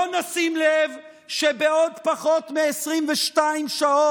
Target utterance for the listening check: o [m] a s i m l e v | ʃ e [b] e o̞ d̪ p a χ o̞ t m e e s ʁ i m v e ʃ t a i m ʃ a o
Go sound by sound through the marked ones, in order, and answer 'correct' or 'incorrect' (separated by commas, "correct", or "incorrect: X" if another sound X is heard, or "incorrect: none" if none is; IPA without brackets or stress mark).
incorrect: n, correct